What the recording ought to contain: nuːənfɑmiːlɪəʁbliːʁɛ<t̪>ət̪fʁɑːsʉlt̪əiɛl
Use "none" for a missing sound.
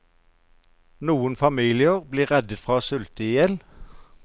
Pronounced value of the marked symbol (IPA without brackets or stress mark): d̪